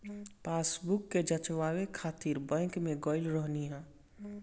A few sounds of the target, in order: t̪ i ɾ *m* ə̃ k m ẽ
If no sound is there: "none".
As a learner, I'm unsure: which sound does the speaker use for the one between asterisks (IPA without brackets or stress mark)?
b